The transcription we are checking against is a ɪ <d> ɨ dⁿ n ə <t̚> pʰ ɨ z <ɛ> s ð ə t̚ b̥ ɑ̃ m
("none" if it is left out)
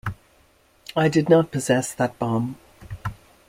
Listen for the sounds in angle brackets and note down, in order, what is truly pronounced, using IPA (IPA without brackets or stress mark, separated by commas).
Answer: d, t̚, ɛ